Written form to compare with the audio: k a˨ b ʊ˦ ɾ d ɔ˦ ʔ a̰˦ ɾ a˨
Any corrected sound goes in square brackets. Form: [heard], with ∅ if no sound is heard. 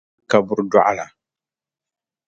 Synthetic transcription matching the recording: k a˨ b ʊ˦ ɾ d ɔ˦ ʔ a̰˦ [l] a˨